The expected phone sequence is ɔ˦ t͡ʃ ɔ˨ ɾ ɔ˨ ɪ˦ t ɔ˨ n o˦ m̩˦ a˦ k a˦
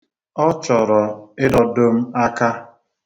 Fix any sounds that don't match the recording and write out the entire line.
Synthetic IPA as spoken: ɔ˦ t͡ʃ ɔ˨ ɾ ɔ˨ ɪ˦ d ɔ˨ d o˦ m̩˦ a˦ k a˦